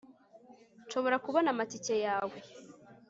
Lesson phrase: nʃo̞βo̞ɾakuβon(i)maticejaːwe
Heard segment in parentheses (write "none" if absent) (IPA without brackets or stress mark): a